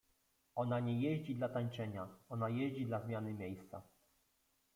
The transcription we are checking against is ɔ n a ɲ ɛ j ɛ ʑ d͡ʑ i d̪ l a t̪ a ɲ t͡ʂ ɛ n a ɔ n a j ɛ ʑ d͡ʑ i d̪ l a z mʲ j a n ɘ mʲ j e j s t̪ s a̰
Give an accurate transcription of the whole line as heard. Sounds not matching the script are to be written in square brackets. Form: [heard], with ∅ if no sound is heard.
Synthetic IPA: ɔ n a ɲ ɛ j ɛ ʑ d͡ʑ i d̪ l a t̪ a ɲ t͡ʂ ɛ [ɲ] a ɔ n a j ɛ ʑ d͡ʑ i d̪ l a z mʲ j a n ɘ mʲ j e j s t̪ s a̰